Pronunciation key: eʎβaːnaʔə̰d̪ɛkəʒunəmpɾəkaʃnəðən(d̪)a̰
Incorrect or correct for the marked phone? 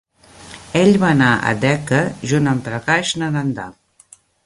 correct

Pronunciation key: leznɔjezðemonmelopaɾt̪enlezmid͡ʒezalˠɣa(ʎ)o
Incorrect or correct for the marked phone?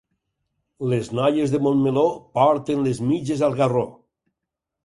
incorrect: r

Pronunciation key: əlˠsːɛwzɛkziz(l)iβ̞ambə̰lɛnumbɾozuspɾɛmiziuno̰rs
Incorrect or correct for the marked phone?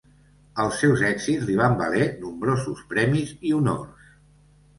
correct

